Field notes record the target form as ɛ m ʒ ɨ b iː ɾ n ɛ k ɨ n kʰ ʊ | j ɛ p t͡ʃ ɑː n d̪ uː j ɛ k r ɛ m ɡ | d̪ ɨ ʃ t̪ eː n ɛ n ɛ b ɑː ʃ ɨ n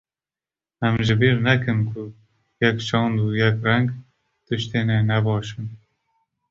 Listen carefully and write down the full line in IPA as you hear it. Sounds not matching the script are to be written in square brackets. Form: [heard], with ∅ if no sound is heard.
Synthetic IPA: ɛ m ʒ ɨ b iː ɾ n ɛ k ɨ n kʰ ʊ | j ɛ [k] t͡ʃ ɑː n d̪ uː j ɛ k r ɛ [ŋ] ɡ | [t̪] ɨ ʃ t̪ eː n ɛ n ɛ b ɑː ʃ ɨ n